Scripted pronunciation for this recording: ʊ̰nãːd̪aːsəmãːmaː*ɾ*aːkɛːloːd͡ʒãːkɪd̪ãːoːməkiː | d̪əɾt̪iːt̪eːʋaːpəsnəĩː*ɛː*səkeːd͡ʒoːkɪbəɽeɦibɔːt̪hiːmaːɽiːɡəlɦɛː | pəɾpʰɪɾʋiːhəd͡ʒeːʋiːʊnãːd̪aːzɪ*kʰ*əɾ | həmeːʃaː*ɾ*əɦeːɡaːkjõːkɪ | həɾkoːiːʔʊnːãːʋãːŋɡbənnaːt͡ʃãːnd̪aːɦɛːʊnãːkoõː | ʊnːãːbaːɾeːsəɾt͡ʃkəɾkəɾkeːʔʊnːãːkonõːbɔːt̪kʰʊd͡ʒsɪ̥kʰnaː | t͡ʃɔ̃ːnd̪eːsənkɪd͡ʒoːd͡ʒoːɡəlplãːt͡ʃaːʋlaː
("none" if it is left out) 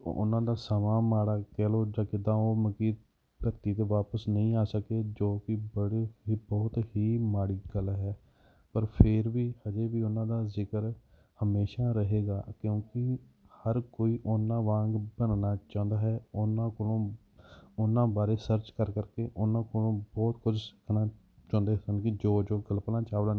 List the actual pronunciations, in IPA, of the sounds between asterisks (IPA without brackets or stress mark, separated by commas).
ɽ, aː, k, ɾ